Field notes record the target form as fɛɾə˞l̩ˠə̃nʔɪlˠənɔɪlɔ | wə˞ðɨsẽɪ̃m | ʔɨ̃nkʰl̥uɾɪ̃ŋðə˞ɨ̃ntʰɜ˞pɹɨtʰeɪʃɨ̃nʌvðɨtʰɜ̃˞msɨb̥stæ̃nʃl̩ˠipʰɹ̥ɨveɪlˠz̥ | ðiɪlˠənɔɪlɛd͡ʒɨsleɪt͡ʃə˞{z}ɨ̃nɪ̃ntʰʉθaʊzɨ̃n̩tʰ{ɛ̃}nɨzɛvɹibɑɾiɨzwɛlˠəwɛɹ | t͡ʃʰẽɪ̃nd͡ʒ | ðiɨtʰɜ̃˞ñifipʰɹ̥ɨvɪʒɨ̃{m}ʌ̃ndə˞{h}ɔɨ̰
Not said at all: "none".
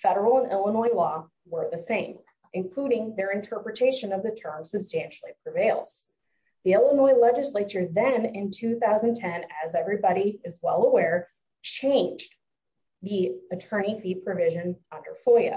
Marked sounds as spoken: ð, ɛ̃, n, f

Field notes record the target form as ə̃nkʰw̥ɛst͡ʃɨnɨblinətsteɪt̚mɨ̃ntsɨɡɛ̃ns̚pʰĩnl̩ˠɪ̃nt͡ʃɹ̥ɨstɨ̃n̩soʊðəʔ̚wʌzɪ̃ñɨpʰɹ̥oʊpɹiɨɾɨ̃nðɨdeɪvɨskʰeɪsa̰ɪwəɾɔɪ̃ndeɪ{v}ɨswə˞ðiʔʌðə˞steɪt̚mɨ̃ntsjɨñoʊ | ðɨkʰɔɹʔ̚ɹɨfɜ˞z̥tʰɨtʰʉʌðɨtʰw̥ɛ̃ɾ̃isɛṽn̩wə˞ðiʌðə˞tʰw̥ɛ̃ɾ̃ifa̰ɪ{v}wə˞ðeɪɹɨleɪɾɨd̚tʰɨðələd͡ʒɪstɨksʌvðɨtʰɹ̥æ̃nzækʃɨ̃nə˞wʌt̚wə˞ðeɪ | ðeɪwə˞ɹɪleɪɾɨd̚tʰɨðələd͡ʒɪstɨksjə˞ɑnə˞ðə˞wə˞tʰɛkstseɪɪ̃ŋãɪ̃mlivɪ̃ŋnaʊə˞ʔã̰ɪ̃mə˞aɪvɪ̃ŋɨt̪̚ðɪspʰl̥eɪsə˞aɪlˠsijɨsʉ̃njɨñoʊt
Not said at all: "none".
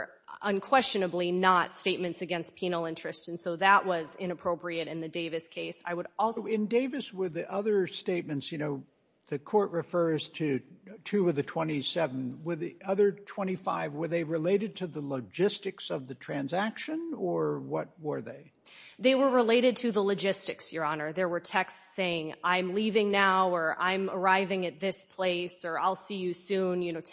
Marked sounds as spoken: v, v

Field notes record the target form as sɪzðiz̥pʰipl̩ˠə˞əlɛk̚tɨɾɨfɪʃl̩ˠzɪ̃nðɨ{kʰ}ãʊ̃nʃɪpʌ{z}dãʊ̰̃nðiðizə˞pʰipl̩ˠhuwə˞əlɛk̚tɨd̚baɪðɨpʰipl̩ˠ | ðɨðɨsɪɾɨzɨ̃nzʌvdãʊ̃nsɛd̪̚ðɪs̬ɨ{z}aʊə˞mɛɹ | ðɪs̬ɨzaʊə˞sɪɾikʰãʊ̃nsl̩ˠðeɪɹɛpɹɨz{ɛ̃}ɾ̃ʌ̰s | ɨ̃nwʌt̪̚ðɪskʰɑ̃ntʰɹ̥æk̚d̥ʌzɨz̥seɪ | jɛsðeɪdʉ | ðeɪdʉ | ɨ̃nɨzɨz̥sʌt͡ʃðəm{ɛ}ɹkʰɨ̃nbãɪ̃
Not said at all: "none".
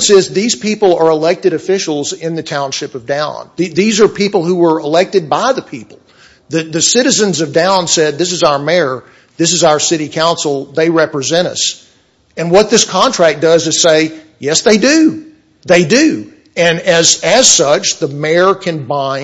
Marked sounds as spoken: tʰ, v, z, ɛ̃, ɛ

